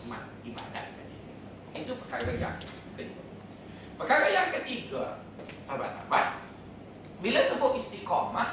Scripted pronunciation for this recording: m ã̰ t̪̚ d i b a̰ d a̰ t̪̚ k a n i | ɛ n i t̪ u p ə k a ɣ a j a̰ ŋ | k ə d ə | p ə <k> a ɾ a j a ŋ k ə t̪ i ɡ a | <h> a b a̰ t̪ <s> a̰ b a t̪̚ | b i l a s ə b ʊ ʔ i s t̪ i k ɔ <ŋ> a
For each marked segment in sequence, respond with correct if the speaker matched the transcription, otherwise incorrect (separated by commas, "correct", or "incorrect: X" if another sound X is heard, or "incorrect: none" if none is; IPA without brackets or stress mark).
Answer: correct, incorrect: s, correct, incorrect: m